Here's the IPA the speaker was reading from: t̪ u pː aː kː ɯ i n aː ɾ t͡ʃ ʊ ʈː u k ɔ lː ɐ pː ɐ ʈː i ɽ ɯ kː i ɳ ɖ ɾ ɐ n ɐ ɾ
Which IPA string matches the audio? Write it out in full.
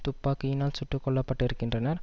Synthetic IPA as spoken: t̪ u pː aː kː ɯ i n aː l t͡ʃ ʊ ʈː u k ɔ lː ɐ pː ɐ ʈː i ɾ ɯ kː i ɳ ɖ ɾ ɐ n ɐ ɾ